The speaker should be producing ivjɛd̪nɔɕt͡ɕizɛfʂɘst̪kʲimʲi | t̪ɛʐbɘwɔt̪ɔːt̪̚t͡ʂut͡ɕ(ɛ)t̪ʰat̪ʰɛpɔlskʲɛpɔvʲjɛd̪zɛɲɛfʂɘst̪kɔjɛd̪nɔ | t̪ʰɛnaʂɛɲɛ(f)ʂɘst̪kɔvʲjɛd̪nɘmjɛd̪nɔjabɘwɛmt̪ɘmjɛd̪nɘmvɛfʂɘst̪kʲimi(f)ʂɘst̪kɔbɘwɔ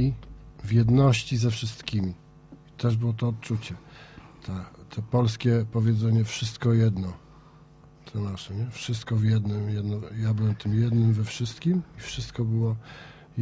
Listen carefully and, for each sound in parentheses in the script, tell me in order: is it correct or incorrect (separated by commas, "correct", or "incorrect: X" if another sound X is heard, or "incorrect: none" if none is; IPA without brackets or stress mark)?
correct, correct, correct